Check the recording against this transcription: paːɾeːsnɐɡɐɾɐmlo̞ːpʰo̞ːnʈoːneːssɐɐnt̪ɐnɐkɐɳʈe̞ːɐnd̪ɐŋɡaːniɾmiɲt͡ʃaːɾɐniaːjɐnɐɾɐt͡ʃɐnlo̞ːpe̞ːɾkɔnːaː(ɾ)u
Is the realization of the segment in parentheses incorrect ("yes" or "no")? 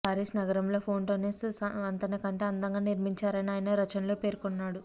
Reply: yes